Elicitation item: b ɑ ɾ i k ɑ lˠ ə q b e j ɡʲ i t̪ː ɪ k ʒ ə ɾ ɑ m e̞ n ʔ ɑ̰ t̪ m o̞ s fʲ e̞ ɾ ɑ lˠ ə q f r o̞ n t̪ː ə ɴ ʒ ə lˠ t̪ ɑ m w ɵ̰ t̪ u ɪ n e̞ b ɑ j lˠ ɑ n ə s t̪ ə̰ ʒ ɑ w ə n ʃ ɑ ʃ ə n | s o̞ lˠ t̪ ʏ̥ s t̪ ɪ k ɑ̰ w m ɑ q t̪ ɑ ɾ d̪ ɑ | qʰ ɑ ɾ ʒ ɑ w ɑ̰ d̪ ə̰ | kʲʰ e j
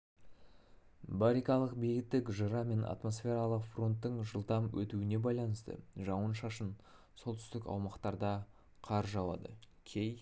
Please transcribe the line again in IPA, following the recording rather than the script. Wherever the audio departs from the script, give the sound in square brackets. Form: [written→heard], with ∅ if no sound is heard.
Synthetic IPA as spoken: b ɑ ɾ i k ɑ lˠ ə q b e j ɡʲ [i→ɪ] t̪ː ɪ k ʒ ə ɾ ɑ m e̞ n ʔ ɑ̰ t̪ m o̞ s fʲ e̞ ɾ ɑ lˠ ə q f r o̞ n t̪ː ə ɴ ʒ ə lˠ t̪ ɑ m w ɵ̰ t̪ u ɪ n e̞ b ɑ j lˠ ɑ n ə s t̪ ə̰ ʒ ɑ w ə n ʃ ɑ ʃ ə n | s o̞ lˠ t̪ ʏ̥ s t̪ ɪ k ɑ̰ w m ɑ q t̪ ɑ ɾ d̪ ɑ | qʰ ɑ ɾ ʒ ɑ w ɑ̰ d̪ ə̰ | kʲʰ e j